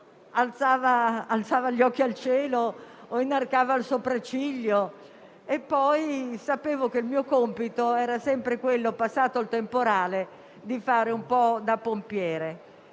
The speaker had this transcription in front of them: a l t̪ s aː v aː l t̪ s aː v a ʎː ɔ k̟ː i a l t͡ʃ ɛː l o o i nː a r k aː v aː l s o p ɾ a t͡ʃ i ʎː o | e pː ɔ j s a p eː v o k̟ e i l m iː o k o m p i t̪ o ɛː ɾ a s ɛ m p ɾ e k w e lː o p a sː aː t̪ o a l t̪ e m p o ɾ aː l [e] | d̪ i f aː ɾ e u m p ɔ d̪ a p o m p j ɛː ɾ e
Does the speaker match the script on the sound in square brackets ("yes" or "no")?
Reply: yes